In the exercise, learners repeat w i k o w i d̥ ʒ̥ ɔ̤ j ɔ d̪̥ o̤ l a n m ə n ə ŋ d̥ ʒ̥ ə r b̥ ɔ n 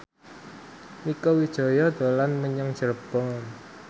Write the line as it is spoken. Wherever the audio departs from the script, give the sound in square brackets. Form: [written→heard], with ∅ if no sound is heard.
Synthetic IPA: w i k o w i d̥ ʒ̥ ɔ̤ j ɔ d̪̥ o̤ l a n m ə [n→ɲ] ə ŋ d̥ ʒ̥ ə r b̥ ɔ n